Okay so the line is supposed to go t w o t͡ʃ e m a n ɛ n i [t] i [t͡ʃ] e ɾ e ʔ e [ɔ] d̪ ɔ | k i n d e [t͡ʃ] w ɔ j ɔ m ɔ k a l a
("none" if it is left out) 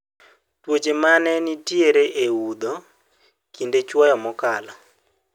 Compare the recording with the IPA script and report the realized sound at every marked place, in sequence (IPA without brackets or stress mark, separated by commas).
t, none, u, t͡ʃ